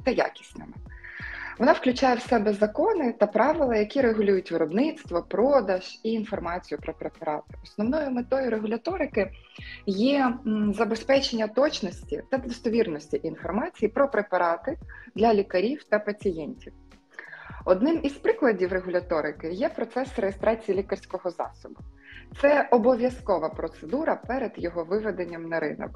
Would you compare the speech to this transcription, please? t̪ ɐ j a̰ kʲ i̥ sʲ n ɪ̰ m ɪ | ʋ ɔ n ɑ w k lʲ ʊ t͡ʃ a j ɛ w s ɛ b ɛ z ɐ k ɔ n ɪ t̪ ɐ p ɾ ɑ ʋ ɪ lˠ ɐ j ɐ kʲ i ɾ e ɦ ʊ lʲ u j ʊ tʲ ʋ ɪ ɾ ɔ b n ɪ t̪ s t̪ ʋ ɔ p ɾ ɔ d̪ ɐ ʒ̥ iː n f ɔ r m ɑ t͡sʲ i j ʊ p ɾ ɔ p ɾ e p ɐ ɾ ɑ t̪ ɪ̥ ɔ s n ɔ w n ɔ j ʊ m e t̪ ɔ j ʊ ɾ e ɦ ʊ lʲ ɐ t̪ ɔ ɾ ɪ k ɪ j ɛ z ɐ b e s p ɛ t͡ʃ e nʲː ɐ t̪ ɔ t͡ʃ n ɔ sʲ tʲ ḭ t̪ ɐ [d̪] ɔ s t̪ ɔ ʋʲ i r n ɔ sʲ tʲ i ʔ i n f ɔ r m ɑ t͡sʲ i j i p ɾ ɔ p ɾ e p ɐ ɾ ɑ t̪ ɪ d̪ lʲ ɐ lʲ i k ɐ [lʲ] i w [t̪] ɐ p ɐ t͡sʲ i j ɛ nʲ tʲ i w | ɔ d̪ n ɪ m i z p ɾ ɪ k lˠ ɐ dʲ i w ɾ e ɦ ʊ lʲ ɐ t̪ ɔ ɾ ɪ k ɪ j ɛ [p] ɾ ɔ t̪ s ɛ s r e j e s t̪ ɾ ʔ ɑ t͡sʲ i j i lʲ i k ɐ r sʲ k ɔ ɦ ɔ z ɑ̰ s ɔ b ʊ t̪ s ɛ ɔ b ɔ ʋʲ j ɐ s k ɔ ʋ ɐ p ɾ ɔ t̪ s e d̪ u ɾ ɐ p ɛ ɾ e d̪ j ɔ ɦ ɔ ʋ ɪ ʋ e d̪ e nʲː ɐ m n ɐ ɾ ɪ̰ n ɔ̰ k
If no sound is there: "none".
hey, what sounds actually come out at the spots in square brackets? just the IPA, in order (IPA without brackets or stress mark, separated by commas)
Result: d̪, ɾʲ, t̪, p